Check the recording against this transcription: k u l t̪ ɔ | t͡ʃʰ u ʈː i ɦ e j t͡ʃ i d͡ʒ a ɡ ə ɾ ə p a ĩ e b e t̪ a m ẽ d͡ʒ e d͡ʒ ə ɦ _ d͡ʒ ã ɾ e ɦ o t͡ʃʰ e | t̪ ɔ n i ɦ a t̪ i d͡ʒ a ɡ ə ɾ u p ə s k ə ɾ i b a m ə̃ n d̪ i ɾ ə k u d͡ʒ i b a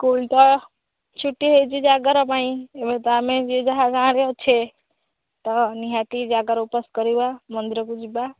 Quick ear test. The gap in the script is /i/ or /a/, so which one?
a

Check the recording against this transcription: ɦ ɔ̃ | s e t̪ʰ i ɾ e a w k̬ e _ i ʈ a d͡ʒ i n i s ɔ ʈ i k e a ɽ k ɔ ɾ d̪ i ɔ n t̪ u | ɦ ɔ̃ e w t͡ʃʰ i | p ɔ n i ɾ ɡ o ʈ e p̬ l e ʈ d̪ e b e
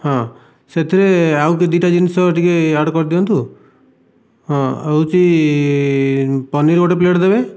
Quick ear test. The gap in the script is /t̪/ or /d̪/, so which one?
d̪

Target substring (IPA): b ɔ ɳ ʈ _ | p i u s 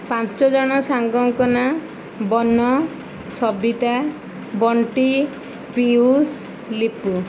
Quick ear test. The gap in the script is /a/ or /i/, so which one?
i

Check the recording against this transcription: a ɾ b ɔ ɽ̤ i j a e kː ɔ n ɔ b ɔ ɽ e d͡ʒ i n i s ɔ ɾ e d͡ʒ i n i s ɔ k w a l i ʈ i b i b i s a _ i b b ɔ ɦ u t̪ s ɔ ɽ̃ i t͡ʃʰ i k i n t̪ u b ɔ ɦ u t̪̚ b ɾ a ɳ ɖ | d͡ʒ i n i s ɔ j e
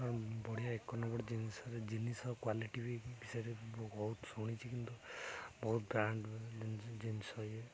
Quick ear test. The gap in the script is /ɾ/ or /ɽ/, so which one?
ɾ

